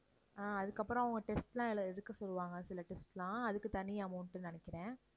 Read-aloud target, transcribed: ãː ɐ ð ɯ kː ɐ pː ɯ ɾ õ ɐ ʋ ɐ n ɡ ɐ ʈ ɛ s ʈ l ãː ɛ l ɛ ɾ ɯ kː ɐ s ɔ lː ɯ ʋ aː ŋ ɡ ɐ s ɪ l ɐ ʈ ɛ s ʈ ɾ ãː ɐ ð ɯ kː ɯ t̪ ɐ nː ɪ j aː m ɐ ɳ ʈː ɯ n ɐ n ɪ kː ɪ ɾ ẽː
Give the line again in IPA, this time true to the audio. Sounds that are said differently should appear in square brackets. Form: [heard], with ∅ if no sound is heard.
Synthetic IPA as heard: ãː ɐ ð ɯ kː ɐ pː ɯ ɾ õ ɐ ʋ ɐ [ŋ] ɡ ɐ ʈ ɛ s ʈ l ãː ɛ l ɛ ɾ ɯ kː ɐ s ɔ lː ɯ ʋ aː ŋ ɡ ɐ s ɪ l ɐ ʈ ɛ s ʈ [l] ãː ɐ ð ɯ kː ɯ t̪ ɐ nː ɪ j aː m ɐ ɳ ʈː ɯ n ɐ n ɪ kː ɪ ɾ ẽː

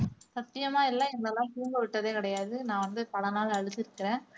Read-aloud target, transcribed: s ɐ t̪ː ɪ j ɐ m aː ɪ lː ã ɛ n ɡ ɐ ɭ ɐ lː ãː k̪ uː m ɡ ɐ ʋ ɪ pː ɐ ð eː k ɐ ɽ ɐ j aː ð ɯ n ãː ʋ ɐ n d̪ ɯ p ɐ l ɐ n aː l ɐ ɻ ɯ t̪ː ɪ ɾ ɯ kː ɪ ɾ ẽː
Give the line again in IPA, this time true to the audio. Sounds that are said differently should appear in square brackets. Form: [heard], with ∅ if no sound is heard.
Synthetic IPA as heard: s ɐ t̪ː ɪ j ɐ m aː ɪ lː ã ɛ [ŋ] ɡ ɐ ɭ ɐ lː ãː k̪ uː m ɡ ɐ ʋ ɪ [ʈː] ɐ ð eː k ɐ ɽ ɐ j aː ð ɯ n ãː ʋ ɐ n d̪ ɯ p ɐ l ɐ n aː l ɐ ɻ ɯ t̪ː ɪ ɾ ɯ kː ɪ ɾ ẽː

